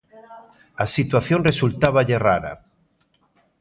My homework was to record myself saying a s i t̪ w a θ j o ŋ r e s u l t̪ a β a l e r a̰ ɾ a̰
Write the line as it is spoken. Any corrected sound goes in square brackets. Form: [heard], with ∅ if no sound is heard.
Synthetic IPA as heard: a s i t̪ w a θ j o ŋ r e s u l t̪ a β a [ʎ] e r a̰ ɾ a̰

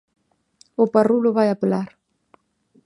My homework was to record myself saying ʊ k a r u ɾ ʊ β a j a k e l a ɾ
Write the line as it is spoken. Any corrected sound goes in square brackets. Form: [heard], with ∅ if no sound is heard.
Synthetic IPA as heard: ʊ [p] a r u [l] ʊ β a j a [p] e l a ɾ

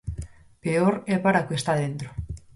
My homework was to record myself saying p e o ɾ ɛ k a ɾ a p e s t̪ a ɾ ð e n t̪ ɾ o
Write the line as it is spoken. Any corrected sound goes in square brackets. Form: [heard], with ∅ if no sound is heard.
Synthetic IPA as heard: p e o ɾ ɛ [p] a ɾ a [k] e s t̪ a [∅] ð e n t̪ ɾ o

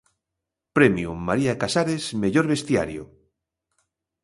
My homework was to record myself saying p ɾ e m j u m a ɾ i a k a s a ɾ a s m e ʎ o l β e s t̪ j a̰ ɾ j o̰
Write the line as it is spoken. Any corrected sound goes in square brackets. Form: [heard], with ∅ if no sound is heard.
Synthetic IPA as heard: p ɾ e m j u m a ɾ i a k a s a ɾ [e] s m e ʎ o [ɾ] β e s t̪ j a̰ ɾ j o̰

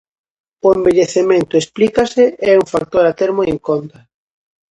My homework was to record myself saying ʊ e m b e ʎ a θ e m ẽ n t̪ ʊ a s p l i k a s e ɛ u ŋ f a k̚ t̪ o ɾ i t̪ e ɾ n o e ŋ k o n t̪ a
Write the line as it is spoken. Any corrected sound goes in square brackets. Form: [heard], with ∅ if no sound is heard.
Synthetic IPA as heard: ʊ e m b e ʎ [e] θ e m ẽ n t̪ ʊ [e] s p l i k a s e ɛ u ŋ f a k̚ t̪ o ɾ [a] t̪ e ɾ [m] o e ŋ k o n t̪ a

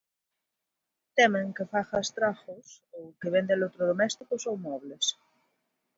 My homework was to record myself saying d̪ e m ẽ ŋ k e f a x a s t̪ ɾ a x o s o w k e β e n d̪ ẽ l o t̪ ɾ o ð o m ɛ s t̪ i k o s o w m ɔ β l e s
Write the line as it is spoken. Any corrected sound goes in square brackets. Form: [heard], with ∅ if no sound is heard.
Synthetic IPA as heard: [t̪] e m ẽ ŋ k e f a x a s t̪ ɾ a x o s o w k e β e n d̪ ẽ l o t̪ ɾ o ð o m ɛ s t̪ i k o s o w m ɔ β l e s

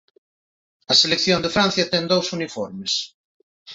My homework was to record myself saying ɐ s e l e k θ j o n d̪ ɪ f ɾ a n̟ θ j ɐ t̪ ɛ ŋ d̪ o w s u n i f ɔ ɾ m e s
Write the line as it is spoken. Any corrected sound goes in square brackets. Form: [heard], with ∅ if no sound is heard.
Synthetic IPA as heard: ɐ s e l e k θ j o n d̪ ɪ f ɾ a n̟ θ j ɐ t̪ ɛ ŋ d̪ o w s u n i f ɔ ɾ m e s

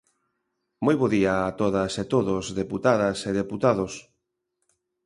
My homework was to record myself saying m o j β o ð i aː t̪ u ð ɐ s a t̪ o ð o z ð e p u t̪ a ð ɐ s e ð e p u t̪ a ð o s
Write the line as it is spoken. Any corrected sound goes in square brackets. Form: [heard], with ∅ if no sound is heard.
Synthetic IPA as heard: m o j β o ð i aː t̪ [o] ð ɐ s [e] t̪ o ð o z ð e p u t̪ a ð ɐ s e ð e p u t̪ a ð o s

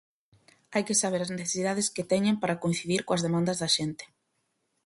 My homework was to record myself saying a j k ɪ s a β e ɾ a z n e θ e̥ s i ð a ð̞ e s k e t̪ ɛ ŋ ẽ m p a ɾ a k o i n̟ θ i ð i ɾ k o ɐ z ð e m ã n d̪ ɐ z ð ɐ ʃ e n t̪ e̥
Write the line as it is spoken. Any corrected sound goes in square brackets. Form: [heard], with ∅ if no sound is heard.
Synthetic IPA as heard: a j k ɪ s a β e ɾ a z n e θ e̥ s i ð a ð̞ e s k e t̪ ɛ [ɲ] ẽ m p a ɾ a k o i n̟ θ i ð i ɾ k o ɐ z ð e m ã n d̪ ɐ z ð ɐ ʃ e n t̪ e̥

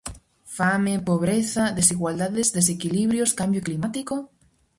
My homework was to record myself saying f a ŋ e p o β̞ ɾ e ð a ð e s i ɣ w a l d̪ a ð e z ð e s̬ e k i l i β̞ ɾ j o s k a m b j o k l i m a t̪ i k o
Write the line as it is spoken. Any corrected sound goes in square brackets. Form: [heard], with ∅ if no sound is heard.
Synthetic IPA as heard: f a [m] e p o β̞ ɾ e [θ] a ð e s i ɣ w a l d̪ a ð e z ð e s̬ e k i l i β̞ ɾ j o s k a m b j o k l i m a t̪ i k o

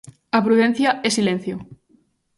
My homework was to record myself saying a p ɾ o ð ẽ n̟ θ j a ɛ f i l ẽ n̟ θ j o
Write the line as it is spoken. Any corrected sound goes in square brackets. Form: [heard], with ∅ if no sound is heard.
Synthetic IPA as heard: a p ɾ [u] ð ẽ n̟ θ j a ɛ [s] i l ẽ n̟ θ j o

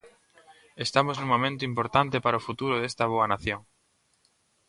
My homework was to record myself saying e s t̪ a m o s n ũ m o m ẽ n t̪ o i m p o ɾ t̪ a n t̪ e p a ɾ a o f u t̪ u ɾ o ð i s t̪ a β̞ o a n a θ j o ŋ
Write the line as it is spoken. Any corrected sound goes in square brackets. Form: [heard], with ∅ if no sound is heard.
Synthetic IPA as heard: e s t̪ a m o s n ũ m o m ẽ n t̪ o i m p o ɾ t̪ a n t̪ e p a ɾ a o f u t̪ u ɾ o ð [e] s t̪ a β̞ o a n a θ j o ŋ

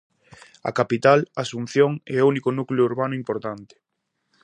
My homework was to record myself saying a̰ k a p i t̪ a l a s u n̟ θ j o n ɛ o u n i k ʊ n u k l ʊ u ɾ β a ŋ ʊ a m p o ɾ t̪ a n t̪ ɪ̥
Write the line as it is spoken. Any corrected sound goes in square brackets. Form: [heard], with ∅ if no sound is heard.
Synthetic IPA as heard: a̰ k a p i t̪ a l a s u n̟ θ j o [ŋ] ɛ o u n i k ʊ n u k l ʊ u ɾ β a [n] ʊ [i] m p o ɾ t̪ a n t̪ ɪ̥

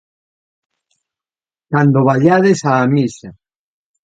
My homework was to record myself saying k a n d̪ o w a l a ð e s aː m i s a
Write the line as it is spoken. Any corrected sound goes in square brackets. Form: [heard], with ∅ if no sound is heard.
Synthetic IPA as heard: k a n d̪ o [β] a [ʎ] a ð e s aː m i s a

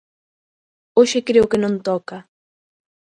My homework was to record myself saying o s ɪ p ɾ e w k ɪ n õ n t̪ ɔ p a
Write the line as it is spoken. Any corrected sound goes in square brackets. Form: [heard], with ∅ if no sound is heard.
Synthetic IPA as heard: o [ʃ] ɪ [k] ɾ e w k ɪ n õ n t̪ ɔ [k] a

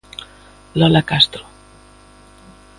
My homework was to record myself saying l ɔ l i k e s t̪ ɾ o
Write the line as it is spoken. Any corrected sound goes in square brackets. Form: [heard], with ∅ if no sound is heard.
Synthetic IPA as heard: l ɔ l [a] k [a] s t̪ ɾ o

